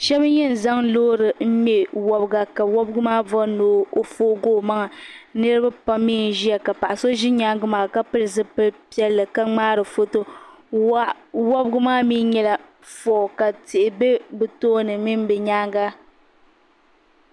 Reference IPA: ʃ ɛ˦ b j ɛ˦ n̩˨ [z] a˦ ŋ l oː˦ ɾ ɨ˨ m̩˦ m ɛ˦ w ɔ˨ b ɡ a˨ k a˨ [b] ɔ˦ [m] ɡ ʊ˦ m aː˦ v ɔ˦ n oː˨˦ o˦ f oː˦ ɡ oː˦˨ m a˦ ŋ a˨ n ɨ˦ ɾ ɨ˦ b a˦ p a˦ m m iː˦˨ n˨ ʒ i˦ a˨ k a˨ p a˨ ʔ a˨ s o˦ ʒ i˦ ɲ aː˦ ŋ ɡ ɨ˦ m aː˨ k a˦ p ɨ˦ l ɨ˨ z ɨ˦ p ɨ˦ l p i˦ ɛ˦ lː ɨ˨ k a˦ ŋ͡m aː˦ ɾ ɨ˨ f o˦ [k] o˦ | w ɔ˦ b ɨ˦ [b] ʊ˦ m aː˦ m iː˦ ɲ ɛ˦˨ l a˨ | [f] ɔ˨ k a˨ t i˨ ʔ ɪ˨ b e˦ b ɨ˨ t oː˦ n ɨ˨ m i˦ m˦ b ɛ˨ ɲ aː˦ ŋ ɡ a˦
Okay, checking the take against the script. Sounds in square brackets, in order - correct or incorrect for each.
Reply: correct, incorrect: w, incorrect: b, incorrect: t, incorrect: ɡ, correct

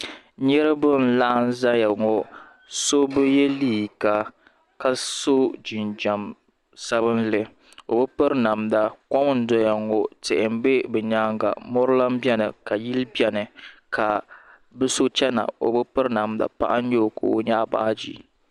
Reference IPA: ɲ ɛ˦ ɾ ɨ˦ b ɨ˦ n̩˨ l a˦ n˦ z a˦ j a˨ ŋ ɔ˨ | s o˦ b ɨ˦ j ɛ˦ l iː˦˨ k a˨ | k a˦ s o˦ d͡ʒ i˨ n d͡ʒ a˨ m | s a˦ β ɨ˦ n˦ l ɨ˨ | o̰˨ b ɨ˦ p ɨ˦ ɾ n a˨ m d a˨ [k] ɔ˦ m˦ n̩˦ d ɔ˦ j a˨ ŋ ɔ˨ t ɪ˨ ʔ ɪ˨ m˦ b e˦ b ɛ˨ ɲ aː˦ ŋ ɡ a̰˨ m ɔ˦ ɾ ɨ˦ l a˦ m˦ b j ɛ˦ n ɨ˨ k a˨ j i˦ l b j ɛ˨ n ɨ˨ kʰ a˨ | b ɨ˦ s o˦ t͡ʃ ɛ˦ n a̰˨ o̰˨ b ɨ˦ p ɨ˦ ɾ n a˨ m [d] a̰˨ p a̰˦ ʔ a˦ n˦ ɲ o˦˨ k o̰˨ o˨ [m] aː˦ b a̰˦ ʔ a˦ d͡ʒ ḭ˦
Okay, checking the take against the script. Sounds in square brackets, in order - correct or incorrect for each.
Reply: correct, correct, incorrect: ɲ

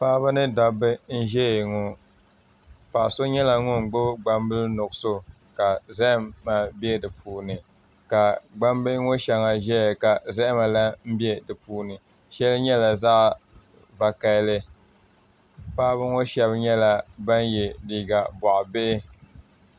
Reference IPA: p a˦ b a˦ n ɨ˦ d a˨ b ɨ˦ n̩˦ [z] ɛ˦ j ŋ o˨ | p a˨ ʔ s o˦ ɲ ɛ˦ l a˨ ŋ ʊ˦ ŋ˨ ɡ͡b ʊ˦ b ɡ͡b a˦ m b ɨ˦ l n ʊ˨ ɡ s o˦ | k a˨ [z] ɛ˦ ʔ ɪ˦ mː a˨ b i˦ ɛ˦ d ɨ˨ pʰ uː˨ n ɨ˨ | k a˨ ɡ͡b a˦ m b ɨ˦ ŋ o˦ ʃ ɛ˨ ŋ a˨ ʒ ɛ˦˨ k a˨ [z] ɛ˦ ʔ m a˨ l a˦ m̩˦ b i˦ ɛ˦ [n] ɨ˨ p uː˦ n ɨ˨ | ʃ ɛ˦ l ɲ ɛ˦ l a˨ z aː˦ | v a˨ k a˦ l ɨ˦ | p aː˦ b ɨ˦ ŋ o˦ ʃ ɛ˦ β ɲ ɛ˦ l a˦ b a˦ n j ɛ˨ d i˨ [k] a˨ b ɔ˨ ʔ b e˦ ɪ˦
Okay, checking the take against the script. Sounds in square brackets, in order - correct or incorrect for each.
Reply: incorrect: ʒ, correct, correct, incorrect: d, incorrect: ɡ

